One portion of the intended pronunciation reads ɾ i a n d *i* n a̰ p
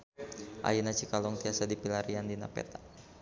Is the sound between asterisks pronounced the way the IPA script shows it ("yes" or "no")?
yes